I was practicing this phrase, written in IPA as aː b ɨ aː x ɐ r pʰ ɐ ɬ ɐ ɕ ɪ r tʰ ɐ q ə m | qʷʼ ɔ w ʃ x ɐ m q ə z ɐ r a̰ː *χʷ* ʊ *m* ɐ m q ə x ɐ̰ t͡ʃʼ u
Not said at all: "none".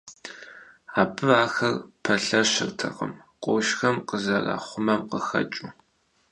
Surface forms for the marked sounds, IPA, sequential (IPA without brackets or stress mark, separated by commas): χʷ, m